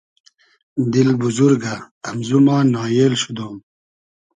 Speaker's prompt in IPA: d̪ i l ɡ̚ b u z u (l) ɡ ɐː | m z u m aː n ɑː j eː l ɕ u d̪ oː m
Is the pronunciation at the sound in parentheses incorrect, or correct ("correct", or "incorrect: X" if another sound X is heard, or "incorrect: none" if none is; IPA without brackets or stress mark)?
incorrect: ɾ